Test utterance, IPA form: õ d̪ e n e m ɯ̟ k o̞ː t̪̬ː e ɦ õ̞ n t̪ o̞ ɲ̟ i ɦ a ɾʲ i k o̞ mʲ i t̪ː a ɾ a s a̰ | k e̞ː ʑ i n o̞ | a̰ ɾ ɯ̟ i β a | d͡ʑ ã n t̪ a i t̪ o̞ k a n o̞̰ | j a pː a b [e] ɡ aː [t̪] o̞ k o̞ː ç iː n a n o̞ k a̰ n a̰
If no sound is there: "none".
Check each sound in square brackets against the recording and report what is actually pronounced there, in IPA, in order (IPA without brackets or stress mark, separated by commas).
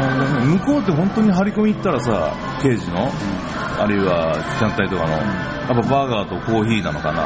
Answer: a, t̪